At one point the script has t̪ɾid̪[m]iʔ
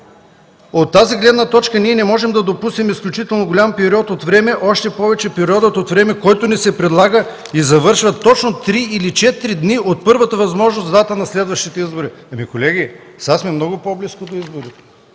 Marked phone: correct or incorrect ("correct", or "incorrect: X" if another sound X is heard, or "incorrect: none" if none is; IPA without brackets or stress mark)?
incorrect: n